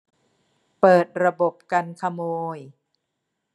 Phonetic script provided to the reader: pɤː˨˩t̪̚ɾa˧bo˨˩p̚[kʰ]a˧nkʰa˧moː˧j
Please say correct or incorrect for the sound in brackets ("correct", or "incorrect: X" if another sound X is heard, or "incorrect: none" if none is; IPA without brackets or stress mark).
incorrect: k